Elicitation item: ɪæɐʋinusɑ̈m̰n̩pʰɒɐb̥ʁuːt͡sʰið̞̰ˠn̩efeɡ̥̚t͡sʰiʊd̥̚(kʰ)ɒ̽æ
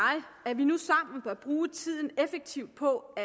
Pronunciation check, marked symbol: incorrect: pʰ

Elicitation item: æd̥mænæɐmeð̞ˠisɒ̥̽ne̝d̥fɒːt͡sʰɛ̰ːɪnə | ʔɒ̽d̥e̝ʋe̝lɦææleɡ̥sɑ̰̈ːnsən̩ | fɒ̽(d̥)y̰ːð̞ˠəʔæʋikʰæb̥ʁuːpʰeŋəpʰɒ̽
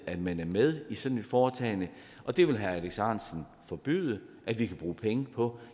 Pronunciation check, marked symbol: incorrect: b̥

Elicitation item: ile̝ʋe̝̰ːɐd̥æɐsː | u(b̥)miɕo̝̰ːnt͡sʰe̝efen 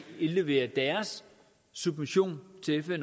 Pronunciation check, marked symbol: correct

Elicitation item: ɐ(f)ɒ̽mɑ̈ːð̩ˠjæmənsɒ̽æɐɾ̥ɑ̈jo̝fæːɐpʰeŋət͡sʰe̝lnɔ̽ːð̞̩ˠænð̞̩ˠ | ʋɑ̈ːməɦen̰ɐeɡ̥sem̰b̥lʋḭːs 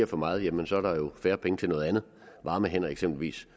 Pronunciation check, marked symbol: correct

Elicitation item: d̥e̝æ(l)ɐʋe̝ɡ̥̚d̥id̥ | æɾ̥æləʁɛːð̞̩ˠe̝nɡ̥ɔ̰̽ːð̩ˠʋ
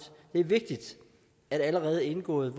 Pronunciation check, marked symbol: incorrect: none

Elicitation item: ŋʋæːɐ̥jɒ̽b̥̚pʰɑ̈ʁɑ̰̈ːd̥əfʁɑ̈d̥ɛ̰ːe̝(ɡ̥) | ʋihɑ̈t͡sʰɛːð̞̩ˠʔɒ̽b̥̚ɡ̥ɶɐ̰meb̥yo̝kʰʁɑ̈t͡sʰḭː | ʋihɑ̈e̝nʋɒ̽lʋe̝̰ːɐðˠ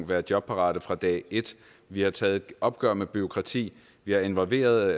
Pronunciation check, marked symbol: incorrect: d̥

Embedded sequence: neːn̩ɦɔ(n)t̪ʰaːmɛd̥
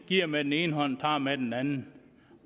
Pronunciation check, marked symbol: correct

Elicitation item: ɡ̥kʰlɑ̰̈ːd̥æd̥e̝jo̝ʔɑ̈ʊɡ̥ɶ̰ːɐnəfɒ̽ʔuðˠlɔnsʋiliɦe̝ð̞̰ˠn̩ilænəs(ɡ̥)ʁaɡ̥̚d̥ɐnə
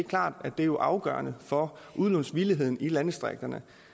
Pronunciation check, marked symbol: incorrect: d̥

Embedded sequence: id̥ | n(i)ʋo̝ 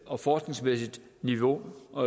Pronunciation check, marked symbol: correct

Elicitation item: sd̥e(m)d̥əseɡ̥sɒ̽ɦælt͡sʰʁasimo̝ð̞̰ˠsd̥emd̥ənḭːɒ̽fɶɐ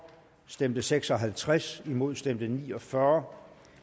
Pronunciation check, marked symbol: correct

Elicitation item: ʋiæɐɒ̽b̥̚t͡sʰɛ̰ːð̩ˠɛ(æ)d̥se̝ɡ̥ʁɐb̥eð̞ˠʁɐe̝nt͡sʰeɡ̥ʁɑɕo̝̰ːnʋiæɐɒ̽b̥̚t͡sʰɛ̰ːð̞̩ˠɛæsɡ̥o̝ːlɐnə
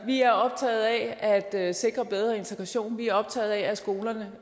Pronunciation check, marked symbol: correct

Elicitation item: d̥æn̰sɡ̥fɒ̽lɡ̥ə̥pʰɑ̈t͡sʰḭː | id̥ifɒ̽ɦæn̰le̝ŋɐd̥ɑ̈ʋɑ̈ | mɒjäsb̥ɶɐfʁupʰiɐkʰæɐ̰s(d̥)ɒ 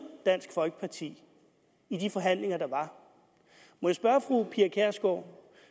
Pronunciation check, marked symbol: incorrect: ɡ̥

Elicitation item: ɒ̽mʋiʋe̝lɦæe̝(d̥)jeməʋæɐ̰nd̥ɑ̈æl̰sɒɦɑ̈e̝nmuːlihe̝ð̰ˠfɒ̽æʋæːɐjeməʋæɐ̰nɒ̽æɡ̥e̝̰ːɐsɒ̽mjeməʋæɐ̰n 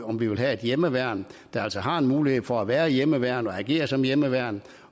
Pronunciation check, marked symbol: correct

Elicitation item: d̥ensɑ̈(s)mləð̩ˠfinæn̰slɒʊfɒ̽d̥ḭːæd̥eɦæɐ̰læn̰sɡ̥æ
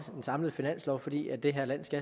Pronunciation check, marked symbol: incorrect: none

